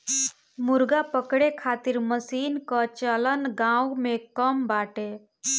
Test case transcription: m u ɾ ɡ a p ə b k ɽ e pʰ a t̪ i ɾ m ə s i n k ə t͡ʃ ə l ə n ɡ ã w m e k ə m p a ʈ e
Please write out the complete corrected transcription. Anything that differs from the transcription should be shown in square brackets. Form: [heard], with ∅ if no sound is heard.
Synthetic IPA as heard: m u ɾ ɡ a p ə [∅] k ɽ e [kʰ] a t̪ i ɾ m ə s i n k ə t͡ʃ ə l ə n ɡ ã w m e k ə m [b] a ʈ e